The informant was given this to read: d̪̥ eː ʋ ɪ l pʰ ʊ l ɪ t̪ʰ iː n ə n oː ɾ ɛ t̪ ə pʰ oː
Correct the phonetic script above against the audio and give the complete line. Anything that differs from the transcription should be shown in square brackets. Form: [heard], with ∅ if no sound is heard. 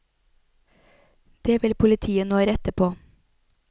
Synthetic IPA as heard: d̪̥ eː ʋ ɪ l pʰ ʊ l ɪ t̪ʰ iː [∅] ə n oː ɾ ɛ t̪ ə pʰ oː